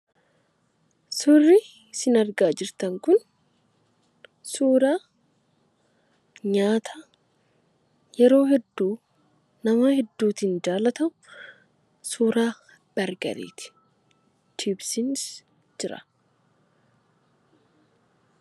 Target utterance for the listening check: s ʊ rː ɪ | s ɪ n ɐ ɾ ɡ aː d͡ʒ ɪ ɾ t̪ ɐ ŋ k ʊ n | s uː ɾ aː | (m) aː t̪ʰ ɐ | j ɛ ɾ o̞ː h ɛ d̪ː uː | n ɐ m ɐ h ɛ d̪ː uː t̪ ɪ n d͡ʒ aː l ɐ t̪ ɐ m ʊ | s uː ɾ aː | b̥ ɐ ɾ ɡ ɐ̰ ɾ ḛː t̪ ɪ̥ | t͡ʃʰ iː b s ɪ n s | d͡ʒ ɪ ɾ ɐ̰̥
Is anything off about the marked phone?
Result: yes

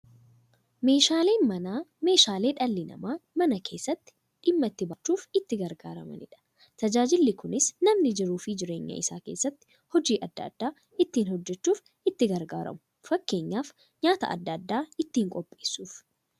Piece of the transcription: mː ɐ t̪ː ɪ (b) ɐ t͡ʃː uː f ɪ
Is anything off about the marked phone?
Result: no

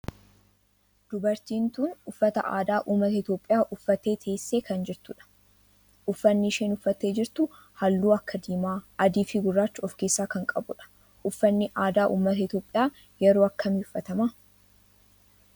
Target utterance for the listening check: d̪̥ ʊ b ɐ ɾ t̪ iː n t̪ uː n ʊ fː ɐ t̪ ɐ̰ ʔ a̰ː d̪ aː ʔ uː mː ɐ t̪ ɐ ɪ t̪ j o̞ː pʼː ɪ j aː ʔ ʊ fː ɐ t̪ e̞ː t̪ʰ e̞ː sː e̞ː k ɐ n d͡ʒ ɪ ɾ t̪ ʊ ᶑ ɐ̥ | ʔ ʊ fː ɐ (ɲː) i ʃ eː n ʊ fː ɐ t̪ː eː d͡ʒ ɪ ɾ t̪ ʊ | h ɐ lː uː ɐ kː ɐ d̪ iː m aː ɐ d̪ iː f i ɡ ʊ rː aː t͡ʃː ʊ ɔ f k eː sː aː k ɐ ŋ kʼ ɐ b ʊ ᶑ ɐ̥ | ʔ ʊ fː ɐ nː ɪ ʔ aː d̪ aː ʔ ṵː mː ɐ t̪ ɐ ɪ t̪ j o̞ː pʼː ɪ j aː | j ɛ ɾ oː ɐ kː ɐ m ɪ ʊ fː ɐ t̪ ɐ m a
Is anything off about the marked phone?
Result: yes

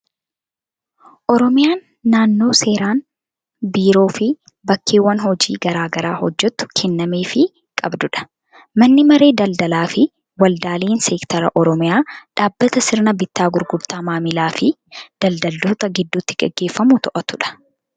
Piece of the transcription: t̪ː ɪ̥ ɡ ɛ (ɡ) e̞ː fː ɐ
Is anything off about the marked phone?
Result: yes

